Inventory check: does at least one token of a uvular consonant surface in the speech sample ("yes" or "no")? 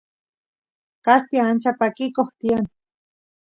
no